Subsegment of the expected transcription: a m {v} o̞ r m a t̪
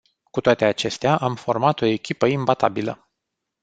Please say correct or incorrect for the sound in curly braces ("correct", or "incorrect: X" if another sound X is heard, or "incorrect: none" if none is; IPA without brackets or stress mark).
incorrect: f